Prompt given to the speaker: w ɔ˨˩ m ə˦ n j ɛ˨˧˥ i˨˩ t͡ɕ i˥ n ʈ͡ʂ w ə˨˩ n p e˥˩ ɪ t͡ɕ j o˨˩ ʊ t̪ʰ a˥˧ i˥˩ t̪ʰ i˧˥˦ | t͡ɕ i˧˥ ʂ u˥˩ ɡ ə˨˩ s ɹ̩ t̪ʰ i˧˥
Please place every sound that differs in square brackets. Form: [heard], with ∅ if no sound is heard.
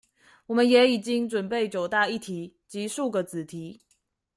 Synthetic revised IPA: w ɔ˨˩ m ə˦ n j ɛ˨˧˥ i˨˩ t͡ɕ i˥ [ŋ] ʈ͡ʂ w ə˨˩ n p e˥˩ ɪ t͡ɕ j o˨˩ ʊ [t̪] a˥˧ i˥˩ t̪ʰ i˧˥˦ | t͡ɕ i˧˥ ʂ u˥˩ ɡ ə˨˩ [t͡s] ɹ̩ t̪ʰ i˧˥